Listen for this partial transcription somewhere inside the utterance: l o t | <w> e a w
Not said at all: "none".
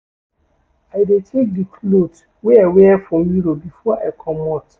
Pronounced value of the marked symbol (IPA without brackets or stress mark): w